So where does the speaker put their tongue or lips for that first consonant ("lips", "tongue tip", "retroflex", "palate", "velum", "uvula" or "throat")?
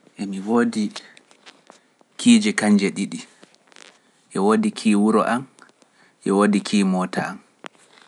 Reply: throat